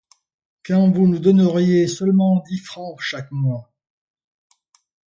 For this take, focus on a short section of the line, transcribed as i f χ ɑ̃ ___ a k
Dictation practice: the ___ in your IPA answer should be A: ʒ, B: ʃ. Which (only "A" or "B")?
B